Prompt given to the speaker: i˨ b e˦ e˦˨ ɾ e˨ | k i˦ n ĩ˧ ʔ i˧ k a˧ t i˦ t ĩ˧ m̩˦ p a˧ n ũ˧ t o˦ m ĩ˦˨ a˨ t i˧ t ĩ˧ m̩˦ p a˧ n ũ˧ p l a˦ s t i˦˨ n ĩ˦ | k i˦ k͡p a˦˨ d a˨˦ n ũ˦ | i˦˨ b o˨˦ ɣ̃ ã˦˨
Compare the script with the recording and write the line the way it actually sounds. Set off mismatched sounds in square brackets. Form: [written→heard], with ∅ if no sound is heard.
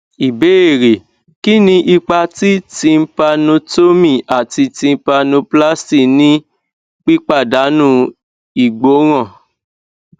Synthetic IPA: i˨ b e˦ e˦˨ ɾ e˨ | k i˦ n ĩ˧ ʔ i˧ [k→k͡p] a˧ t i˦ t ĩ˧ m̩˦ p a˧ n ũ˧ t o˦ m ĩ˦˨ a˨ t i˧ t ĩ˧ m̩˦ p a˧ n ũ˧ p l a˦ s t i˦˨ n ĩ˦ | [k→k͡p] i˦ k͡p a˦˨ d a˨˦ n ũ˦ | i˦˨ [b→ɡ͡b] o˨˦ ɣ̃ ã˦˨